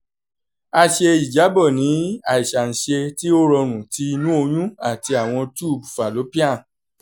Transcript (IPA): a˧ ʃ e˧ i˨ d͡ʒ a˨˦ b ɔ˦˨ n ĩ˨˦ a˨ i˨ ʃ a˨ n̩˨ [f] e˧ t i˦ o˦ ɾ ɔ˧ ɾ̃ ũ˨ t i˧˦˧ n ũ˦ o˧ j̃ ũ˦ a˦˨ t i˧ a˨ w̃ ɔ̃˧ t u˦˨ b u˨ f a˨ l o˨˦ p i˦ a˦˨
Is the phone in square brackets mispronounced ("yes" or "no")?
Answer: yes